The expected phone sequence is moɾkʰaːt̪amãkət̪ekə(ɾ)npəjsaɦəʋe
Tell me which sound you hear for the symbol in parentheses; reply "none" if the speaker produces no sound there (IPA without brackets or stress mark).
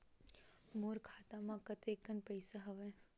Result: none